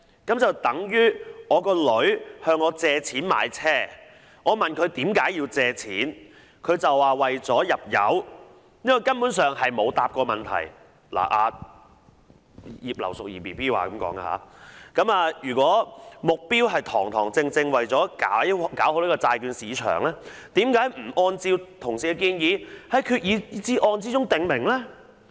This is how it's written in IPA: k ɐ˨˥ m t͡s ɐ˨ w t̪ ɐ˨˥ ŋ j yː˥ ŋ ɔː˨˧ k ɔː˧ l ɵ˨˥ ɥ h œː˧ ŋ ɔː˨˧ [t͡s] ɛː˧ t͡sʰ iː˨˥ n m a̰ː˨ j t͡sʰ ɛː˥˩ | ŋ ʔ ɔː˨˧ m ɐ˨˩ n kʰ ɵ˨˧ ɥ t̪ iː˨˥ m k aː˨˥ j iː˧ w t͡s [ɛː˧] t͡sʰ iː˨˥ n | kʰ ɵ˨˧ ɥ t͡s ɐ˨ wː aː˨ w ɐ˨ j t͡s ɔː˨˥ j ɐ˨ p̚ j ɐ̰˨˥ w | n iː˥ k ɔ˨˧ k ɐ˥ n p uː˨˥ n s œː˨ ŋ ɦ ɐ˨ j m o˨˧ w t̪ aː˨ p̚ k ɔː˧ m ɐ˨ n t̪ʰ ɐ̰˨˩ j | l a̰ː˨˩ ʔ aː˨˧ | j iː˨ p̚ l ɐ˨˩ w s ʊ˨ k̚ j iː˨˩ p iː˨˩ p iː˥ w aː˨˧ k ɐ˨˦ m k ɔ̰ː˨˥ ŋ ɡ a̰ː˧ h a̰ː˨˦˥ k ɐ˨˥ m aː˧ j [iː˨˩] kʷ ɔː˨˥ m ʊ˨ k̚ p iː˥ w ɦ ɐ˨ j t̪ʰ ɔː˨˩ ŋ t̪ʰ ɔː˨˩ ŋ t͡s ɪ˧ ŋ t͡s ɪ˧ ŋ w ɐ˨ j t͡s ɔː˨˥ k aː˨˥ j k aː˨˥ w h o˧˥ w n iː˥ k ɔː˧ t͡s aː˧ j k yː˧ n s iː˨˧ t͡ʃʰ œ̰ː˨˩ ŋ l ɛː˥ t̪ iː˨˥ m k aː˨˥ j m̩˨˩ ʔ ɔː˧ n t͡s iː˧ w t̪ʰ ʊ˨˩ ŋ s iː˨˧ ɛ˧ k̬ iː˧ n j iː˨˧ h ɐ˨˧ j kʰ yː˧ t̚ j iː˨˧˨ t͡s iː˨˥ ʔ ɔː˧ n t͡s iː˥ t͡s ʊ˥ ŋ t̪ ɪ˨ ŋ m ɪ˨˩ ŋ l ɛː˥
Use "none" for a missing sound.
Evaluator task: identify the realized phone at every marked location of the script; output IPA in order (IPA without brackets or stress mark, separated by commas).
t͡s, ɛː˧, yː˨˩